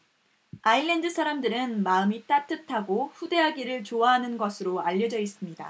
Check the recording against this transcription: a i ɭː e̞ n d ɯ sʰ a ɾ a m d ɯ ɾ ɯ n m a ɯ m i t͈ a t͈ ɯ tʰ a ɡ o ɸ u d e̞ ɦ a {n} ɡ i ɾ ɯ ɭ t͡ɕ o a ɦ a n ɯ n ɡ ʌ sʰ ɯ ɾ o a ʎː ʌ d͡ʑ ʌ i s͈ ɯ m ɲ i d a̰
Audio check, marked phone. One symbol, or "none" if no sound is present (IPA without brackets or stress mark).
none